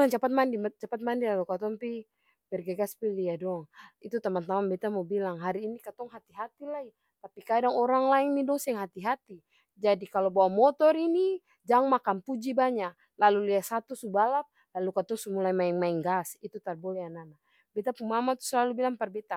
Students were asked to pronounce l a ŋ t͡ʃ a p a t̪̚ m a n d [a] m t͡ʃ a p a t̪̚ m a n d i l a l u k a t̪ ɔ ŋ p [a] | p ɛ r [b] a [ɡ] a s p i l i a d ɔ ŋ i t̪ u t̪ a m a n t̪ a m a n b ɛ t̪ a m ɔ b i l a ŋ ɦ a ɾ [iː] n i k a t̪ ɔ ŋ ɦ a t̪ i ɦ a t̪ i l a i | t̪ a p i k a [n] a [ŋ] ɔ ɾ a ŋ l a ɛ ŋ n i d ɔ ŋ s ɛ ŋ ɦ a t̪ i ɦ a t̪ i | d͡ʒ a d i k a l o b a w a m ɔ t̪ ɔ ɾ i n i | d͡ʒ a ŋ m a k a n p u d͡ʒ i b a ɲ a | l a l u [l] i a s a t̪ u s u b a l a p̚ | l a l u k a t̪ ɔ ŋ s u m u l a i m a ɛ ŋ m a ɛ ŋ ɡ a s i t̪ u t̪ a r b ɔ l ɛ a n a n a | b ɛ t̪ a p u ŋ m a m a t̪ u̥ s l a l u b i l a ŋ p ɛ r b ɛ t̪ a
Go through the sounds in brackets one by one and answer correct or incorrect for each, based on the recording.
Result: incorrect, incorrect, incorrect, correct, correct, incorrect, correct, correct

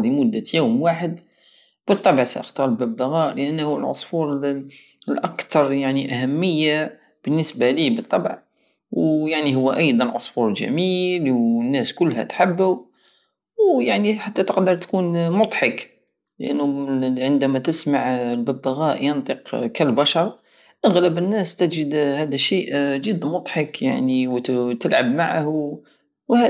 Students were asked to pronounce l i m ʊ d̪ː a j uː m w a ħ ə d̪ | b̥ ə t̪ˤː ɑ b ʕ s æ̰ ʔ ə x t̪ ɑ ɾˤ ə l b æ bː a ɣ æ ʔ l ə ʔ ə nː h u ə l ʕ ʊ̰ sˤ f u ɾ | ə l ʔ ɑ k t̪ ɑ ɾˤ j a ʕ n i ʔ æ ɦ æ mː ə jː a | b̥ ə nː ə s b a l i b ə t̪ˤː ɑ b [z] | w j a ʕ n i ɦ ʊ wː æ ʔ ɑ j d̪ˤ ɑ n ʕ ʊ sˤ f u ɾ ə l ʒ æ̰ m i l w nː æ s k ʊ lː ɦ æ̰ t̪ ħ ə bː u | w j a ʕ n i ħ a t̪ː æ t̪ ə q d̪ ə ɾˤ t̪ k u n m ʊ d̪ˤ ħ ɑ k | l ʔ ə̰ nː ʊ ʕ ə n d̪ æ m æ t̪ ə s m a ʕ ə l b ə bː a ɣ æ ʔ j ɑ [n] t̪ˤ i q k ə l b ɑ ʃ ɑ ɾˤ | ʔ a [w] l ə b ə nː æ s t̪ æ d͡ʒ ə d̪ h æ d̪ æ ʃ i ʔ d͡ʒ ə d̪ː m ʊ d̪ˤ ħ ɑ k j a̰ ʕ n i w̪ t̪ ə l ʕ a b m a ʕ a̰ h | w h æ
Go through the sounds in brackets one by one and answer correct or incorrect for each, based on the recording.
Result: incorrect, correct, incorrect

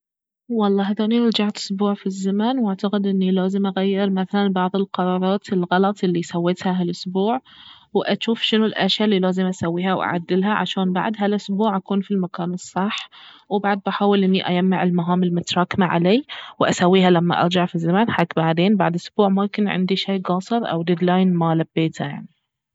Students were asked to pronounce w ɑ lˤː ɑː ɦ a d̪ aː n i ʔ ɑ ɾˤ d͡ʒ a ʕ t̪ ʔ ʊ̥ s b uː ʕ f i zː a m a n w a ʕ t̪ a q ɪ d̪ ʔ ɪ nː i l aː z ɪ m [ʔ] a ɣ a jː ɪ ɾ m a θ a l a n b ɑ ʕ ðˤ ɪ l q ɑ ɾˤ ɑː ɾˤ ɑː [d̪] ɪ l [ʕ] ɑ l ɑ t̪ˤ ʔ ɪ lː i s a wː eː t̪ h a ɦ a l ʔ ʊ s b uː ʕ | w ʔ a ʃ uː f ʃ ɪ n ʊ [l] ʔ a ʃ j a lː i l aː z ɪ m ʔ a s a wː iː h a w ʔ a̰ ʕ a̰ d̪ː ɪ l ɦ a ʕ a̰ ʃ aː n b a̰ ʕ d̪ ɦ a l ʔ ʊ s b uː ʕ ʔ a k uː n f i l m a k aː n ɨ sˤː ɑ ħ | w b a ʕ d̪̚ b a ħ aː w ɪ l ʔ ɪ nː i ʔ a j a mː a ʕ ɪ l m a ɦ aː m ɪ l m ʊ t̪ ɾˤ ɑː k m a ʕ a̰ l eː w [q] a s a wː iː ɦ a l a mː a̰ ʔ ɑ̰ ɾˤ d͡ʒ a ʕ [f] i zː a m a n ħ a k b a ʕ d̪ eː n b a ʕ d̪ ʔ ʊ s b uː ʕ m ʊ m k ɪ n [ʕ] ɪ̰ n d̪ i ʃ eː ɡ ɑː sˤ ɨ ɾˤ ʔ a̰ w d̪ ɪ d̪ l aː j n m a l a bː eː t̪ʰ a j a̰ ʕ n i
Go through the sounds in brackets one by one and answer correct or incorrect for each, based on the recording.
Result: correct, incorrect, incorrect, correct, incorrect, correct, correct

